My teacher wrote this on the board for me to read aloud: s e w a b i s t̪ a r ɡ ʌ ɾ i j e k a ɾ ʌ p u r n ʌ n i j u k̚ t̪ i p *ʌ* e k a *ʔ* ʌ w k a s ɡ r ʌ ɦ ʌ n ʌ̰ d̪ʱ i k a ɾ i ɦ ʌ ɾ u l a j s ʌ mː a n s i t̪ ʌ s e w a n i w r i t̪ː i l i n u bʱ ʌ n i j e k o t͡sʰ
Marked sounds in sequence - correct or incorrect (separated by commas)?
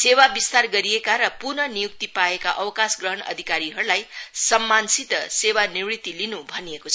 incorrect, correct